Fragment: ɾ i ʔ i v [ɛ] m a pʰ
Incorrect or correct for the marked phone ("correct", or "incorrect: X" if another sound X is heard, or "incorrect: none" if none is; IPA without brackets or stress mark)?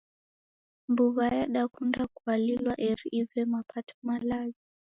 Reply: correct